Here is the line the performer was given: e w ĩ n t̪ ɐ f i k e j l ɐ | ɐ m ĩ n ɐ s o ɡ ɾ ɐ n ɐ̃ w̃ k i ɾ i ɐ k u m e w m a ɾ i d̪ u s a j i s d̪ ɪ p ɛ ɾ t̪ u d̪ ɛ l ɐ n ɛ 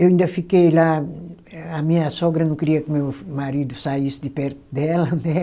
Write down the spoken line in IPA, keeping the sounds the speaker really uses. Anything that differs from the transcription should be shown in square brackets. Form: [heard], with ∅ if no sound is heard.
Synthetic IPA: e w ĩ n [d̪] ɐ f i k e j l [a] | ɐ m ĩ [ɲ] ɐ s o ɡ ɾ ɐ n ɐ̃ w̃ k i ɾ i ɐ k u m e w m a ɾ i d̪ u s a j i s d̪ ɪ p ɛ ɾ t̪ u d̪ ɛ l ɐ n ɛ